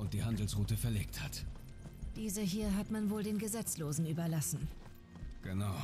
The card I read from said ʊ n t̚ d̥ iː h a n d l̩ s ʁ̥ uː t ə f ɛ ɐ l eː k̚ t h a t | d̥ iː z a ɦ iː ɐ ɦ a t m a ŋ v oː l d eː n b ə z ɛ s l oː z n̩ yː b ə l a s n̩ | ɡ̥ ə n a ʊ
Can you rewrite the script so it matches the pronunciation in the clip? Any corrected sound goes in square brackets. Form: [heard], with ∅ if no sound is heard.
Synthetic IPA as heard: ʊ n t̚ d̥ iː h a n d l̩ s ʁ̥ uː t ə f ɛ ɐ l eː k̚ t h a t | d̥ iː z [ə] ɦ iː ɐ ɦ a t m a [n] v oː l d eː n [ɡ] ə z ɛ [t͡s] l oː z n̩ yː b [ɐ] l a s n̩ | ɡ̥ ə n a ʊ